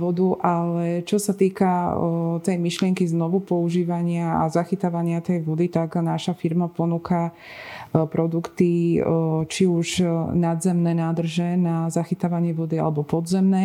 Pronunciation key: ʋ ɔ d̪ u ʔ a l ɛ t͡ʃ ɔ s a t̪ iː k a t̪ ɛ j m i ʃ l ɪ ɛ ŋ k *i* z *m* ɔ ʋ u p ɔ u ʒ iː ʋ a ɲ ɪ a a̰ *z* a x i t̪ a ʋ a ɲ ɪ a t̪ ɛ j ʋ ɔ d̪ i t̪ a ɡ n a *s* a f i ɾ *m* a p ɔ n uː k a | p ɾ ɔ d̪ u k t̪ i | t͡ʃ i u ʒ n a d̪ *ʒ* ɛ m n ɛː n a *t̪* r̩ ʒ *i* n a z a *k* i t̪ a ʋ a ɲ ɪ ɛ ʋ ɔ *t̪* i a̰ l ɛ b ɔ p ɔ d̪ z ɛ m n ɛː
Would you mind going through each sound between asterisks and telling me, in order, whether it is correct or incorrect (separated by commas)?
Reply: correct, incorrect, correct, incorrect, correct, incorrect, incorrect, incorrect, incorrect, incorrect